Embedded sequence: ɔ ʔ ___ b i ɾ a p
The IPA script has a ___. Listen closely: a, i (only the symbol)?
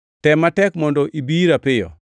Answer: i